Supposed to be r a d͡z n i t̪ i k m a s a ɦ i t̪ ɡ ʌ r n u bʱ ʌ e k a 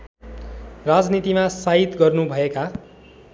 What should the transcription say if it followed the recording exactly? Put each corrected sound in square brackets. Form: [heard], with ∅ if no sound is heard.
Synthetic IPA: r a d͡z n i t̪ i [∅] m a s a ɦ i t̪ ɡ ʌ r n u bʱ ʌ e k a

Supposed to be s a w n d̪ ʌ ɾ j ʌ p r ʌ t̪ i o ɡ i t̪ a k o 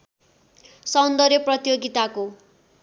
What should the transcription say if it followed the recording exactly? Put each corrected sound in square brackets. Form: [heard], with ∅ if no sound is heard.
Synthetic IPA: s [ʌ] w n d̪ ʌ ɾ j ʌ p r ʌ t̪ [j] o ɡ i t̪ a k o

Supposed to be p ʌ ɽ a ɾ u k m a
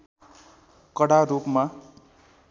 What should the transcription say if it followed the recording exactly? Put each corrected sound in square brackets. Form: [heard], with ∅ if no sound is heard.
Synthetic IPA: [k] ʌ ɽ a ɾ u [p] m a

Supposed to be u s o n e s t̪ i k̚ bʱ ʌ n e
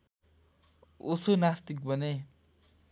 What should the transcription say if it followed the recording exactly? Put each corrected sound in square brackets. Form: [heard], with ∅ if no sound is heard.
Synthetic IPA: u s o n [a] s t̪ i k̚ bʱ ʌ n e

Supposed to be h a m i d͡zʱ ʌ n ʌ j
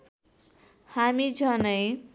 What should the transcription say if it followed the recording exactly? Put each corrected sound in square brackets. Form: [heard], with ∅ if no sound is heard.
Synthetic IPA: h a m i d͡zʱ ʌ n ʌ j

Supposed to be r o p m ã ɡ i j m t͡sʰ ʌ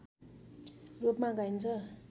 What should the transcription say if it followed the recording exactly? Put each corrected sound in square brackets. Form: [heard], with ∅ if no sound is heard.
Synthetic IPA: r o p m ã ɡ [a] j [n] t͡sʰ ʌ

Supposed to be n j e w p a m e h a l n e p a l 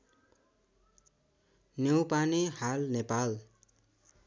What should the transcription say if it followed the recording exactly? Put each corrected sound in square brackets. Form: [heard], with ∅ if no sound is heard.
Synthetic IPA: n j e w p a [n] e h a l n e p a l

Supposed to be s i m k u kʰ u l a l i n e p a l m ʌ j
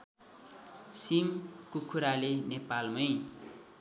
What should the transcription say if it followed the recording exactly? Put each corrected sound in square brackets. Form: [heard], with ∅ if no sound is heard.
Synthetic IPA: s i m k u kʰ u [ɾ] a l [e] n e p a l m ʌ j

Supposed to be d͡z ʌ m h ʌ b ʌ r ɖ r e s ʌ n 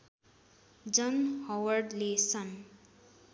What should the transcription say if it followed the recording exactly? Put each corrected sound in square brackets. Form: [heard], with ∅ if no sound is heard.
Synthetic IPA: d͡z ʌ [n] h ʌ [w] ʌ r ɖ [l] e s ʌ n

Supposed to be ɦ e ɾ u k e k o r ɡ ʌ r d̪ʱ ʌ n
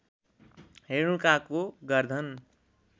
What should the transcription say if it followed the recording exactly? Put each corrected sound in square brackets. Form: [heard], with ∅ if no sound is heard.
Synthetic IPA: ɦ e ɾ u k [a] k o [∅] ɡ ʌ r d̪ʱ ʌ n

